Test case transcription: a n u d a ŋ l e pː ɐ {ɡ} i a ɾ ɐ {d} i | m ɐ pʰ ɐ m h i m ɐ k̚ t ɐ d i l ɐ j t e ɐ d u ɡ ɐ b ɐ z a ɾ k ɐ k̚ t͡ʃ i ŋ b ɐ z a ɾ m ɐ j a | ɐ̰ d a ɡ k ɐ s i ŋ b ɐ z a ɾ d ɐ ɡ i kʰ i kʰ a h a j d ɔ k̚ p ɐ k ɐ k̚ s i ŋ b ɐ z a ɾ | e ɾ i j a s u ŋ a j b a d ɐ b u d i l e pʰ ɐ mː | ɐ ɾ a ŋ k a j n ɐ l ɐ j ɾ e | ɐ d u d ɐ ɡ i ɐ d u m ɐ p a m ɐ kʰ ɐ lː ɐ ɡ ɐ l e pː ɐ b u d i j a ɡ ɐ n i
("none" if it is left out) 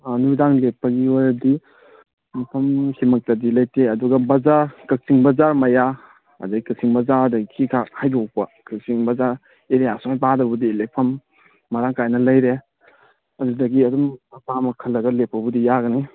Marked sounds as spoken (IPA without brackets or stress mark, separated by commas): ɡ, d